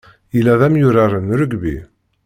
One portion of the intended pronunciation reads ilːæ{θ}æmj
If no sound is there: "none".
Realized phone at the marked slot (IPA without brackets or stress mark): ð